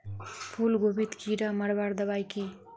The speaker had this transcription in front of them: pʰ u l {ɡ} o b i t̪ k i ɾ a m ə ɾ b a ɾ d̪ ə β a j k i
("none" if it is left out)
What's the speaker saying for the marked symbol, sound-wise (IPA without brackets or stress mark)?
ɡ